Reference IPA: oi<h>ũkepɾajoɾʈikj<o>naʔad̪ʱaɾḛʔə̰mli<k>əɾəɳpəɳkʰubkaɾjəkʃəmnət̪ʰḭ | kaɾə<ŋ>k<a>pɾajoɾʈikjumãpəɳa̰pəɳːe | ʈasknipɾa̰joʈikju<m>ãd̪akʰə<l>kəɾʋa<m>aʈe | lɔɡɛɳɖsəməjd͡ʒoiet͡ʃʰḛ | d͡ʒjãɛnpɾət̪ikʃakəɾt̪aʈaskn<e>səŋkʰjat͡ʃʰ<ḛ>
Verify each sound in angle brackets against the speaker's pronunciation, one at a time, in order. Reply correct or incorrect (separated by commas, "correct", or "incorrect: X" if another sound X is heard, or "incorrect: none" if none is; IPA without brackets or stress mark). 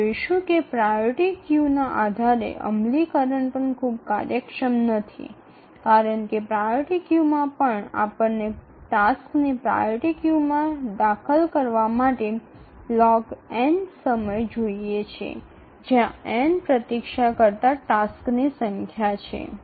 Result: incorrect: ʃ, incorrect: u, correct, incorrect: ɳ, incorrect: e, correct, correct, correct, incorrect: i, correct